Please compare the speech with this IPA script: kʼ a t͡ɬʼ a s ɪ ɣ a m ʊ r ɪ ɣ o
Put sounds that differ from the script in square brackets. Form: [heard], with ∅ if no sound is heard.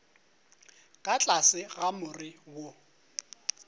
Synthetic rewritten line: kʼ a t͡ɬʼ a s ɪ ɣ a m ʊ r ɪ [w] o